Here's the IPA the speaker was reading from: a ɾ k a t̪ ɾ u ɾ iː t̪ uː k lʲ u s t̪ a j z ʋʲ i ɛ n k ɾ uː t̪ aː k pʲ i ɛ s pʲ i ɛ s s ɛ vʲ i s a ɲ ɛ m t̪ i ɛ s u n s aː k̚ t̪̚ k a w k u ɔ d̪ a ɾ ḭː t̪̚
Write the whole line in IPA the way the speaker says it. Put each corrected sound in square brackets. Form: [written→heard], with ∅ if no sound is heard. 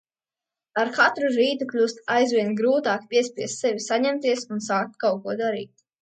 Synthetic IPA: a ɾ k a t̪ ɾ u ɾ iː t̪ [uː→u] k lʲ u s t̪ a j z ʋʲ i ɛ n [k→ɡ] ɾ uː t̪ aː k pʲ i ɛ s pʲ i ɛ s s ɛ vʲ i s a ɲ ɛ m t̪ i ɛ s u n s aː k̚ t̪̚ k a w k u ɔ d̪ a ɾ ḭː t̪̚